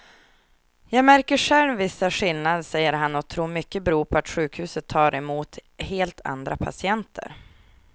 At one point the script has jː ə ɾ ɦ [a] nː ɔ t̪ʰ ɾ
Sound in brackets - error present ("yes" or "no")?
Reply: no